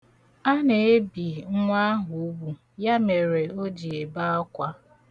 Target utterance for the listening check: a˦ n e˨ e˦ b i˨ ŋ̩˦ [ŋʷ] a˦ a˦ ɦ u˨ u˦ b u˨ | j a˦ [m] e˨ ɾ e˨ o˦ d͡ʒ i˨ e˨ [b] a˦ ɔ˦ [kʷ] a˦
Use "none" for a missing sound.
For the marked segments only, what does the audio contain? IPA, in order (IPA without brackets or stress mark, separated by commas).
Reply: ŋʷ, m, b, kʷ